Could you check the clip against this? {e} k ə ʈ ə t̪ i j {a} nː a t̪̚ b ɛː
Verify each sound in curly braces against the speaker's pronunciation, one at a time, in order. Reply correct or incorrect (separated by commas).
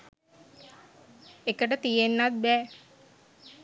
correct, incorrect